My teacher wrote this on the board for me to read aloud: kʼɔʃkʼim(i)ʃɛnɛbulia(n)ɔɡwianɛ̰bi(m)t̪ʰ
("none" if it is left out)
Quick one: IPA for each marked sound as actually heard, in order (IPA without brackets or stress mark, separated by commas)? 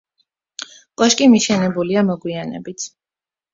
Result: i, m, none